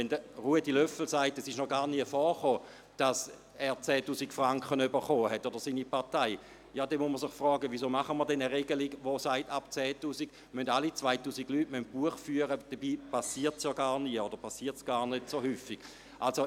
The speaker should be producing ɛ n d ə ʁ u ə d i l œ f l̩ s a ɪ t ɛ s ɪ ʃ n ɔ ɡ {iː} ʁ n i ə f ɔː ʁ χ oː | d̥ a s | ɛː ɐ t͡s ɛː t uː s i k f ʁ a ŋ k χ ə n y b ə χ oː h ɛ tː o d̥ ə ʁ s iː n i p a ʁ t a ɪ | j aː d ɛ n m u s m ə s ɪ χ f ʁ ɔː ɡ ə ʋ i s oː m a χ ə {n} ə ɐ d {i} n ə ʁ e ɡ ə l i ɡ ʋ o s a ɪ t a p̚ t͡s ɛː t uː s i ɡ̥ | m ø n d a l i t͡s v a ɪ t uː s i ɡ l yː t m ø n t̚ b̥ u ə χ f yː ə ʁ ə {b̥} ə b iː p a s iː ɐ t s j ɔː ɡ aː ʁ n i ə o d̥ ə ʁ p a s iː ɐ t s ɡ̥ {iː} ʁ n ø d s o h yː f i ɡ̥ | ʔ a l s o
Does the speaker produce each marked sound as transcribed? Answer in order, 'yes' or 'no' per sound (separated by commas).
no, no, no, no, no